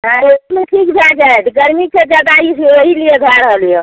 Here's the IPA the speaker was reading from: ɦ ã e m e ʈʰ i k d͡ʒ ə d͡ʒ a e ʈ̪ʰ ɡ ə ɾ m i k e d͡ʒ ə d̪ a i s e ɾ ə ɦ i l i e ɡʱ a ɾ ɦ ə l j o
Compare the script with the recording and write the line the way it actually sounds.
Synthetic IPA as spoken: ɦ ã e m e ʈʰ i k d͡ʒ a d͡ʒ a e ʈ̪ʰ ɡ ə ɾ m i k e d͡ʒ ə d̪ a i s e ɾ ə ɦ i l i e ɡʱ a ɾ ɦ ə l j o

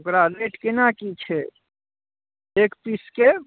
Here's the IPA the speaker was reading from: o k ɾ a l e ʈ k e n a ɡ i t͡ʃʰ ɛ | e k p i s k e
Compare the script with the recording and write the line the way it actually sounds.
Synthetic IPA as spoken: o k ɾ a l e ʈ k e n a k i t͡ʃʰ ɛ | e k p i s k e

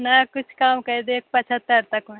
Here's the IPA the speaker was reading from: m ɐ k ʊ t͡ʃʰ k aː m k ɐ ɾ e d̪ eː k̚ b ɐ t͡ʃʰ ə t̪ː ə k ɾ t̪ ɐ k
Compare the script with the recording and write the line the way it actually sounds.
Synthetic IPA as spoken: n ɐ k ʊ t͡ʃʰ k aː m k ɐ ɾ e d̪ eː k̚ p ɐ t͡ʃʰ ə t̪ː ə ɾ t̪ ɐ k

